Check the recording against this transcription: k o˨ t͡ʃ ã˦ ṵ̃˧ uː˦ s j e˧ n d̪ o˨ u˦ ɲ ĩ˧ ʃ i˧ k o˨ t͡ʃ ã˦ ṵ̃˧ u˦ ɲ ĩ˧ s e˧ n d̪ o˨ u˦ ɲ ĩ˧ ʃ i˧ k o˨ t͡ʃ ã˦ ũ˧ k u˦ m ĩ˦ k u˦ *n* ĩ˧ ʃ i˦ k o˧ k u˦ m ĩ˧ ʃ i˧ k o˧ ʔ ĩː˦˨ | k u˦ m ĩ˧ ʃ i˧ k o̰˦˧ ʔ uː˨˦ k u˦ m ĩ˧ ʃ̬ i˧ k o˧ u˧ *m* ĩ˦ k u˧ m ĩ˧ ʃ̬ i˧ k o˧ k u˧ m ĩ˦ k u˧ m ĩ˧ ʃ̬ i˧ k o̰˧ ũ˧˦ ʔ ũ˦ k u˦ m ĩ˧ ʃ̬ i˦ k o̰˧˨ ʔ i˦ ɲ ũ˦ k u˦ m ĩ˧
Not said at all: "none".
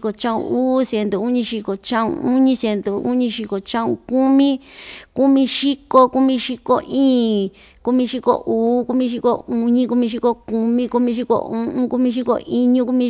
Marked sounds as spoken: m, ɲ

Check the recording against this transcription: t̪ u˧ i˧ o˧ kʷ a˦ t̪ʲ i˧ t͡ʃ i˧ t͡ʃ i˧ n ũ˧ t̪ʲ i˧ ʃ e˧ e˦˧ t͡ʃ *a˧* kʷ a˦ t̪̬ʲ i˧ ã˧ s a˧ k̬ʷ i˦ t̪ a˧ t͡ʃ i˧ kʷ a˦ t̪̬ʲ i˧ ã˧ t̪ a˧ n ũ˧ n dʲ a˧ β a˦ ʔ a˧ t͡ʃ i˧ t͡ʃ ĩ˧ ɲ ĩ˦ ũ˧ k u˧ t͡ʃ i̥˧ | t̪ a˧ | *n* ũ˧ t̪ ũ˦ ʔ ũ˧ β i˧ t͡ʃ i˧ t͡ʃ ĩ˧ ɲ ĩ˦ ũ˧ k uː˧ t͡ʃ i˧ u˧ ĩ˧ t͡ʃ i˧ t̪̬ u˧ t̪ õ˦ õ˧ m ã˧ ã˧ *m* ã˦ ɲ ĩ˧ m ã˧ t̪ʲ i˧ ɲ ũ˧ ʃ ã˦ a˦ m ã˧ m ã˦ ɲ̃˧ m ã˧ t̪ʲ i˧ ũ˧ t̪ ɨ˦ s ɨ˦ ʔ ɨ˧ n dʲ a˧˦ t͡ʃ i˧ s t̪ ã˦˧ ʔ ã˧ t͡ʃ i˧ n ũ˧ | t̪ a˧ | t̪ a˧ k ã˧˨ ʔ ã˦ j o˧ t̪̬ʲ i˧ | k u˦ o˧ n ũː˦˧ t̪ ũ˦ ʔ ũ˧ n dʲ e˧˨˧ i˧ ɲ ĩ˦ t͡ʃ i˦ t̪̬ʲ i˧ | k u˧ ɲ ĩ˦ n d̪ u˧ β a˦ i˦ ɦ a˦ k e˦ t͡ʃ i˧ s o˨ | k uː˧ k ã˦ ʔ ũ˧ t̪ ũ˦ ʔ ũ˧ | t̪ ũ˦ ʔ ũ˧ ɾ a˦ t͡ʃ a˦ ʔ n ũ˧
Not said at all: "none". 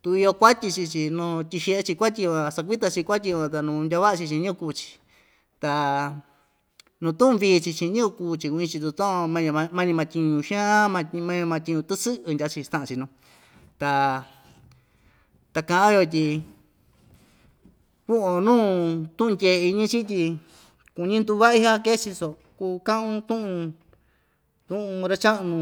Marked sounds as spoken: i˧, n, m

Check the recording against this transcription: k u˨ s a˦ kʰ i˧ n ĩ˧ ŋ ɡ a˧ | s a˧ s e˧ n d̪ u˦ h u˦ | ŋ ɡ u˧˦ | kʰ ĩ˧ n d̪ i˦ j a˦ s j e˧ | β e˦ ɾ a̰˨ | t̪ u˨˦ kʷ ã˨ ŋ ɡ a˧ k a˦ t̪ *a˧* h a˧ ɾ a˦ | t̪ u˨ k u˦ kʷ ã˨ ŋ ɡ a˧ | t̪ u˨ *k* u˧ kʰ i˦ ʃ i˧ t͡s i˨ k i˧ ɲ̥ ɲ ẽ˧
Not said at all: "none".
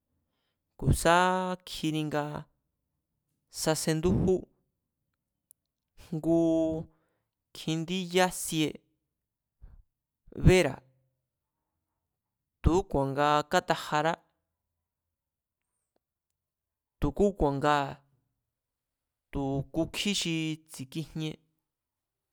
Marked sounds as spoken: a˧, k

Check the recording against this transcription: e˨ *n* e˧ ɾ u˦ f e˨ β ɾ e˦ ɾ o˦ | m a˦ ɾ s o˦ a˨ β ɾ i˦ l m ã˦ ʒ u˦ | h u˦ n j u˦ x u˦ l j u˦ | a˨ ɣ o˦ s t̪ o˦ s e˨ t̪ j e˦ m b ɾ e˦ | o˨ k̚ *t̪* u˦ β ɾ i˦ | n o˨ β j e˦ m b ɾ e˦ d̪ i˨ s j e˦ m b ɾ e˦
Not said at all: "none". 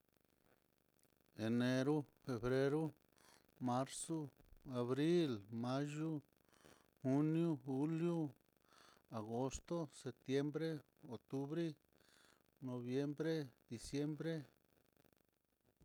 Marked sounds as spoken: n, t̪

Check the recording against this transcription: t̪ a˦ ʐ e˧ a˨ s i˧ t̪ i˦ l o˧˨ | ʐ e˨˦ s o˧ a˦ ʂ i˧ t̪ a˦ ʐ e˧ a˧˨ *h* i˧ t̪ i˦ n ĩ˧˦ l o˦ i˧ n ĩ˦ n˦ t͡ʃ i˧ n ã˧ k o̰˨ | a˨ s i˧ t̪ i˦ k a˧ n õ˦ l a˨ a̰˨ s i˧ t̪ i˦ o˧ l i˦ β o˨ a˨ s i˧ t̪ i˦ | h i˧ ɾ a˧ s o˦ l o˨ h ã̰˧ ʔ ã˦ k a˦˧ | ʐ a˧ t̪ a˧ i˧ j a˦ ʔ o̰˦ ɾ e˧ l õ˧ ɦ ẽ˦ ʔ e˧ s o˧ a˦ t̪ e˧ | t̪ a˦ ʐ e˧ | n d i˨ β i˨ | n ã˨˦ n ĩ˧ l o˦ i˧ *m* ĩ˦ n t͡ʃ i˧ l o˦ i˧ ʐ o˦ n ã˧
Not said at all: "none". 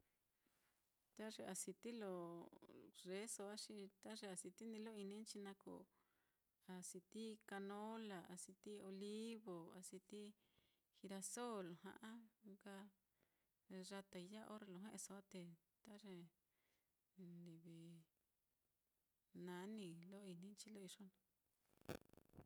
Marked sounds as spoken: s, n

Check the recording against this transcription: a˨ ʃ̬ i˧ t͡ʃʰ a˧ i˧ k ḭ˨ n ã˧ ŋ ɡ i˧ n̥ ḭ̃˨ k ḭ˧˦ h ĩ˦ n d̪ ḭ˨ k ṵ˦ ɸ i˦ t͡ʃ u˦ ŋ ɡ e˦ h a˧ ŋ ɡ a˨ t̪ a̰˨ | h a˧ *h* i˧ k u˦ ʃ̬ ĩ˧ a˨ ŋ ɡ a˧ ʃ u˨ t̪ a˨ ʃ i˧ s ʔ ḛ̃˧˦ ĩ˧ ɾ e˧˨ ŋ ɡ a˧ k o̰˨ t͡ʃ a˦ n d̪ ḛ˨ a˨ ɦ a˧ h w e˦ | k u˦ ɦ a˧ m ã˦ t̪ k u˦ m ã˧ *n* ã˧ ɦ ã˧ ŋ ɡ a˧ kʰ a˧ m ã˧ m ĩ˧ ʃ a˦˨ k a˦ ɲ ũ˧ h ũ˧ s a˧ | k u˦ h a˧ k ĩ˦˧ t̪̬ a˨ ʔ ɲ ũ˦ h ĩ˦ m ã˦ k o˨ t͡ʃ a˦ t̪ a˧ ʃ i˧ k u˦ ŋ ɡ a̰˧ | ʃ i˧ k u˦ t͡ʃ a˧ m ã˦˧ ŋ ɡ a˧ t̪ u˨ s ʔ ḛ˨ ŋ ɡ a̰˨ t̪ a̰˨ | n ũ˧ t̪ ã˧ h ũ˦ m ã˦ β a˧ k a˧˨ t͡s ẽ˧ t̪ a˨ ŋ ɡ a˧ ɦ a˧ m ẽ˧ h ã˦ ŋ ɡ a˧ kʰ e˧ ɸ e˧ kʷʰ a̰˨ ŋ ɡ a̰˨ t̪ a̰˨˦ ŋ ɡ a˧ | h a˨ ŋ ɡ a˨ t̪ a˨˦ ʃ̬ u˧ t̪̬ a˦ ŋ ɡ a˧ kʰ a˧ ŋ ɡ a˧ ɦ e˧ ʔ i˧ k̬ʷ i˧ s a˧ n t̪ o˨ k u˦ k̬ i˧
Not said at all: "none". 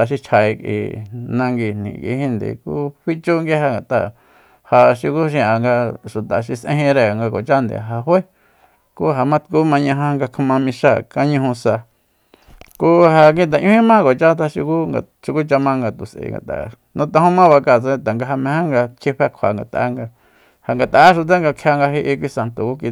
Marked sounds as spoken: ʃ, ɲ

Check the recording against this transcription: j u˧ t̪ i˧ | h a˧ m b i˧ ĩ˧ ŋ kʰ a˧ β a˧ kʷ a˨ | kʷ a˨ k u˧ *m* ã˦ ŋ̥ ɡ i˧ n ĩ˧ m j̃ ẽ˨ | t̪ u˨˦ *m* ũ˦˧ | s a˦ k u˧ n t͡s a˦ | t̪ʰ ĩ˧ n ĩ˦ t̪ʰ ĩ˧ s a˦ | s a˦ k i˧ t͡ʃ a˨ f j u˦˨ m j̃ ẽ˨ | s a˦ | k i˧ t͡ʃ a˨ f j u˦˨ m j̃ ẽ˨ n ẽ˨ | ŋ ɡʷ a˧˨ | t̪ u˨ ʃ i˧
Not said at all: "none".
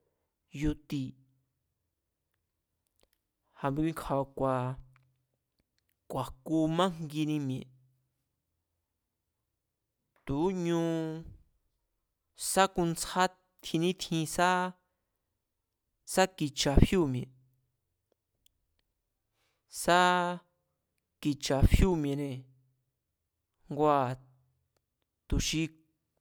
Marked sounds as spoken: m, ɲ

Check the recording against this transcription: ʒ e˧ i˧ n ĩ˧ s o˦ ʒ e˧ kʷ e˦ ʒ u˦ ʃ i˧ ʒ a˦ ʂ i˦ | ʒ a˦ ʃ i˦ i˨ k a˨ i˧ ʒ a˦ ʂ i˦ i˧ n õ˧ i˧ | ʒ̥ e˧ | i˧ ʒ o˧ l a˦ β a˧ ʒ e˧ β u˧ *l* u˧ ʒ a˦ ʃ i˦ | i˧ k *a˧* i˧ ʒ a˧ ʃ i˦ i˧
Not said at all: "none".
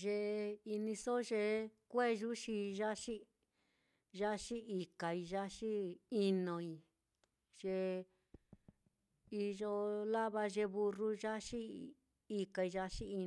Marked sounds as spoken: r, a˧

